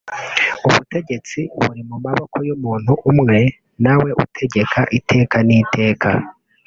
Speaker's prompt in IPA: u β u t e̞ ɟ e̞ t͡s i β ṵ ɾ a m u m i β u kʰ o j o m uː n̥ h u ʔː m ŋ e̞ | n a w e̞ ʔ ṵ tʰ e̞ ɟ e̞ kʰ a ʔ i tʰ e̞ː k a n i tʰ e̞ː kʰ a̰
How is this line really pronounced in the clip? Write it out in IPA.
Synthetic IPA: u β u t e̞ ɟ e̞ t͡s i β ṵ ɾ i m u m a β o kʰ o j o m uː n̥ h u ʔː m ŋ e̞ | n a w e̞ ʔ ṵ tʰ e̞ ɟ e̞ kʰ a ʔ i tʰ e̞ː k a n i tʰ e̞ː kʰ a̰